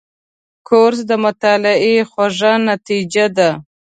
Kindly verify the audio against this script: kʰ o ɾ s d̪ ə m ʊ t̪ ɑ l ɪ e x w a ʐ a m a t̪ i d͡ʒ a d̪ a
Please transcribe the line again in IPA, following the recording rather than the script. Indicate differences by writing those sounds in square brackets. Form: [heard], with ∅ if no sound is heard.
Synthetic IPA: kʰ o ɾ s d̪ ə m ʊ t̪ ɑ l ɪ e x w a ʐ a [n] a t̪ i d͡ʒ a d̪ a